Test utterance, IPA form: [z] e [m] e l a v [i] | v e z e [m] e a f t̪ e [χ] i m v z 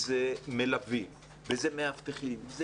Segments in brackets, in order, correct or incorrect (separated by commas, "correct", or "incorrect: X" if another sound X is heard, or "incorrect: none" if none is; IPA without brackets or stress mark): correct, correct, correct, correct, correct